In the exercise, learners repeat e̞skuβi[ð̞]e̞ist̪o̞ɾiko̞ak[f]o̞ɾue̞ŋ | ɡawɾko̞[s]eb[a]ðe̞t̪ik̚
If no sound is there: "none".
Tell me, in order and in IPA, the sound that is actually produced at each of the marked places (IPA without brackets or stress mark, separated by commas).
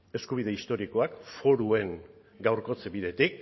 ð̞, f, t͡s, i